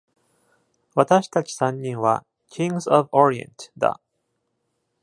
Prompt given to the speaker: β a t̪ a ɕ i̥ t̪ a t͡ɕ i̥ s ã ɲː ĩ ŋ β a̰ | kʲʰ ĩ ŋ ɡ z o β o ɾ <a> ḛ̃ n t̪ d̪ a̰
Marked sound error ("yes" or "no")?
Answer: yes